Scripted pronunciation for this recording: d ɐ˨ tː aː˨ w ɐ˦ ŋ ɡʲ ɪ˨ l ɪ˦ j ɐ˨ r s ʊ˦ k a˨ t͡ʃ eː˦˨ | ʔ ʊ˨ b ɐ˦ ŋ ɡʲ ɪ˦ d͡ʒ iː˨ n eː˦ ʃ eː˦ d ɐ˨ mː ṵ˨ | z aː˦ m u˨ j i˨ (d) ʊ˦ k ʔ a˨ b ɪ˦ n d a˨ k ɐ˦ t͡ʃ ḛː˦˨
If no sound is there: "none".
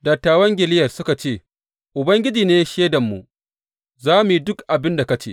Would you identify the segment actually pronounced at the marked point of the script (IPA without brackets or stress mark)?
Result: d